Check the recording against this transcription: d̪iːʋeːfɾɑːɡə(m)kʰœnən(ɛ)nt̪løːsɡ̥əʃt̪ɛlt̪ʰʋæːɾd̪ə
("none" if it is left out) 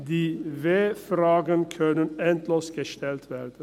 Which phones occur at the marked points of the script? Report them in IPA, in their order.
n, ɛ

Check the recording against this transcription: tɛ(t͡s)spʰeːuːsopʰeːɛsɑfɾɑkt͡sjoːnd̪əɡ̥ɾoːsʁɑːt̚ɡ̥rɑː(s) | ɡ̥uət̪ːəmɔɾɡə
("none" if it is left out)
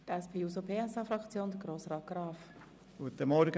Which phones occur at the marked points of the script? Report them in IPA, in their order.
none, f

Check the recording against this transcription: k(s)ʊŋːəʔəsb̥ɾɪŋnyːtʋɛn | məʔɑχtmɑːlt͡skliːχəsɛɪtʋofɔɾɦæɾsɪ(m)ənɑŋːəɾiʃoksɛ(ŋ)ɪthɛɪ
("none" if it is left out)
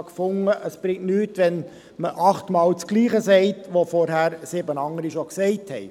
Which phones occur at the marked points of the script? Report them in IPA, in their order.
f, b, none

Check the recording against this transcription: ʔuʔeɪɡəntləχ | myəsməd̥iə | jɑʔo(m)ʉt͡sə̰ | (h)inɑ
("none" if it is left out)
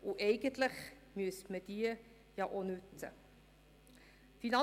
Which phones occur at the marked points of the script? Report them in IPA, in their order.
n, f

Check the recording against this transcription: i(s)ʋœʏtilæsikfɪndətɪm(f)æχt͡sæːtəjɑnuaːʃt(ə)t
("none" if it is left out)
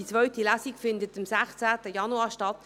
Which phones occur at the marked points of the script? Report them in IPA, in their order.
t͡s, s, ɑ

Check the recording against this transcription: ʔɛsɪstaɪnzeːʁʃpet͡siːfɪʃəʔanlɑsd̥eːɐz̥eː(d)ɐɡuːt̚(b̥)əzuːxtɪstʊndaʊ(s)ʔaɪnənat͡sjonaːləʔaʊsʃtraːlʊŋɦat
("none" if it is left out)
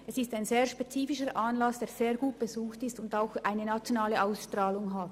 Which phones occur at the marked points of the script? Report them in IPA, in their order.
none, b̥, x

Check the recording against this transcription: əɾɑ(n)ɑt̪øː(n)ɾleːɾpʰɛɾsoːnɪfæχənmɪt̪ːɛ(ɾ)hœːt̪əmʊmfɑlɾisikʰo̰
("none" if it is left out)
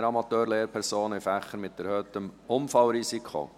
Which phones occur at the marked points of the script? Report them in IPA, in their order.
m, none, ɾ

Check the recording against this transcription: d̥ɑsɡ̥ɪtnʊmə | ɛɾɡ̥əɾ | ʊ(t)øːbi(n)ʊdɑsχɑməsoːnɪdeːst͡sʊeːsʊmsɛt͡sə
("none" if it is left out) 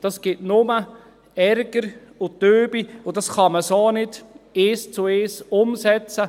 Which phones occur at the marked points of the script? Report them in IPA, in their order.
t, none

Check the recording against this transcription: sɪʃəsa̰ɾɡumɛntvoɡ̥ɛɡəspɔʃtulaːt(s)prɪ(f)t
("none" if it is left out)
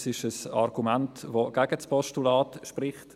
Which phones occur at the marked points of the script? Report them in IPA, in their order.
ʃ, χ

